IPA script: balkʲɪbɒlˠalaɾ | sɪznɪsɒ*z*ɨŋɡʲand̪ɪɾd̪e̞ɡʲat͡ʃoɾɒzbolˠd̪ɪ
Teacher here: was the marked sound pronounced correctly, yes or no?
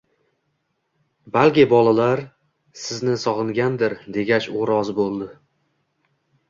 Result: no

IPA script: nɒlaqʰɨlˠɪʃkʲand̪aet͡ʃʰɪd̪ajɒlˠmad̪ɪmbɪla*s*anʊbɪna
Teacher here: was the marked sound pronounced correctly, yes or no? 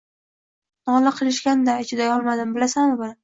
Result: yes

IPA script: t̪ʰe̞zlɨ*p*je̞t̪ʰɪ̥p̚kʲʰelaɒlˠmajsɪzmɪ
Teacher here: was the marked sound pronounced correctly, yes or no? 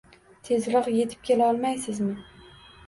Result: no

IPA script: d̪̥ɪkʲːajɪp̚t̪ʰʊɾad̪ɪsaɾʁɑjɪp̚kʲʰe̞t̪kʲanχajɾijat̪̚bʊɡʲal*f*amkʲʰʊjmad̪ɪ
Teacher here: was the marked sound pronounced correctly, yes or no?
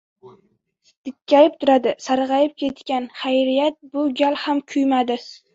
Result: no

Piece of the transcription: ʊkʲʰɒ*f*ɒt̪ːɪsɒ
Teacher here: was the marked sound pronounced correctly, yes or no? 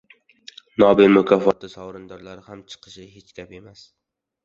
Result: yes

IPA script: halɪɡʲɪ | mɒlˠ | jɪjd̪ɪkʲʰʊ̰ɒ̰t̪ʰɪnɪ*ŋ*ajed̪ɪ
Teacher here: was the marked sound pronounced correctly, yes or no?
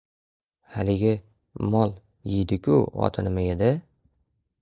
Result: no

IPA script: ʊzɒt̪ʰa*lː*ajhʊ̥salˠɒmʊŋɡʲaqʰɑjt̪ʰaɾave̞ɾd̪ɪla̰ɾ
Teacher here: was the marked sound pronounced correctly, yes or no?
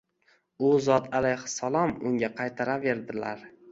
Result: no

